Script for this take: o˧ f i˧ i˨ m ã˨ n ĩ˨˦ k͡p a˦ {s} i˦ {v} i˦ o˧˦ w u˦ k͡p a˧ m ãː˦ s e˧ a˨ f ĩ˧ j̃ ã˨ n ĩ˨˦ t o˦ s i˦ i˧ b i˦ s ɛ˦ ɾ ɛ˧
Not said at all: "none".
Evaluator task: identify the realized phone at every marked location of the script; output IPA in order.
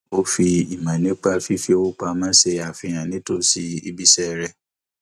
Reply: f, f

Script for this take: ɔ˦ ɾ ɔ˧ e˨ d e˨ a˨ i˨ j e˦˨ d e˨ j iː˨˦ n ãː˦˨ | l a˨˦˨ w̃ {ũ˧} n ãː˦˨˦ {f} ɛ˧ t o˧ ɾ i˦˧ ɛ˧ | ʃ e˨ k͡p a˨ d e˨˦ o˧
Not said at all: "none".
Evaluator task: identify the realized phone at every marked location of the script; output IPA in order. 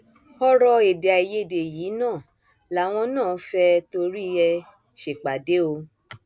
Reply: ɔ̃˧, f

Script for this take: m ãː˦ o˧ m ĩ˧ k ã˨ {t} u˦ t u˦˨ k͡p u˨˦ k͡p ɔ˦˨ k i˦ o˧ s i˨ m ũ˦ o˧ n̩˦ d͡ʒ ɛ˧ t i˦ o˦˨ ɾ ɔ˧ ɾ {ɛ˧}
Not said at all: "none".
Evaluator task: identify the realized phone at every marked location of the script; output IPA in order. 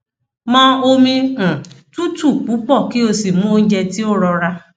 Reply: t, a˧

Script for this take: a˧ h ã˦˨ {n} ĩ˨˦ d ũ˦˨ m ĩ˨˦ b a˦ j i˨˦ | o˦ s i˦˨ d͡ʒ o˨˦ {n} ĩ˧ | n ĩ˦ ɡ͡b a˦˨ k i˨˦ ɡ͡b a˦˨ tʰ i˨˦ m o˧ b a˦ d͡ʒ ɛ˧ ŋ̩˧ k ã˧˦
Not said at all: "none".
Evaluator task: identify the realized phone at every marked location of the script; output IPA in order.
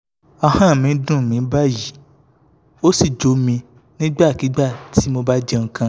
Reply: m, m

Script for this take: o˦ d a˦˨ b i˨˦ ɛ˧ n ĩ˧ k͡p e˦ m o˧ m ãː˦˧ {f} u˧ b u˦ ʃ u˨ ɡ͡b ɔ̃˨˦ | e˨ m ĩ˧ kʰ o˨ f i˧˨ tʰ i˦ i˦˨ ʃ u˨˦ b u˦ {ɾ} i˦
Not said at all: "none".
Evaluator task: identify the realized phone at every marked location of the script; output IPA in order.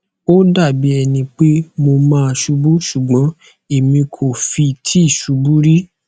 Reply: ʃ, ɾ

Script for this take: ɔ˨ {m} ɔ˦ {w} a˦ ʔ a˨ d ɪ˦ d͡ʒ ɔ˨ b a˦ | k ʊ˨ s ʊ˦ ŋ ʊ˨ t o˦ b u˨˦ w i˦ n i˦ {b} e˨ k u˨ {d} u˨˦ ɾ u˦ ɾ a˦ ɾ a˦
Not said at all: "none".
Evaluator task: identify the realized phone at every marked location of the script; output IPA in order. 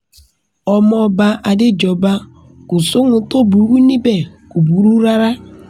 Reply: m, b, b, b

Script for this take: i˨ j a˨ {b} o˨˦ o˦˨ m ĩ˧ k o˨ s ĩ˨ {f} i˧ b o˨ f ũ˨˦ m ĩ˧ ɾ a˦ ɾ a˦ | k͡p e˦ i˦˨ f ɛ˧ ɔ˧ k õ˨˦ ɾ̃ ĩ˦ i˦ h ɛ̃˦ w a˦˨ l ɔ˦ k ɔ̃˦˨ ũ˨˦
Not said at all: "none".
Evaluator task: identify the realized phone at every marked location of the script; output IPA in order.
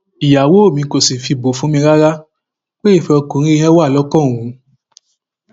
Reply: w, f

